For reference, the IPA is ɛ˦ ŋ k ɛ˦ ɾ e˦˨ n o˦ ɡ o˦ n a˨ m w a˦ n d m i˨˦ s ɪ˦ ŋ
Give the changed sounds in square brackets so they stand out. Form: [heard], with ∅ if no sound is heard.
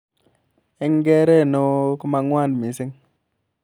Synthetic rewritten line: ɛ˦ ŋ [ɡ] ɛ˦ ɾ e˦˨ n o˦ [k] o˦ [m] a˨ [ŋ] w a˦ n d m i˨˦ s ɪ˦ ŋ